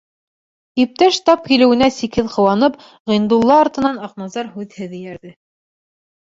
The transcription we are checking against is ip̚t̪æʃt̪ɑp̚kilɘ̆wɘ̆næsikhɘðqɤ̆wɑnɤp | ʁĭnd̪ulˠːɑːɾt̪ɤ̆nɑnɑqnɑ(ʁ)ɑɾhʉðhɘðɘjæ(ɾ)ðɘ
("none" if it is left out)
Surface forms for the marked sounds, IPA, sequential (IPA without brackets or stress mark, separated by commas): z, ɾ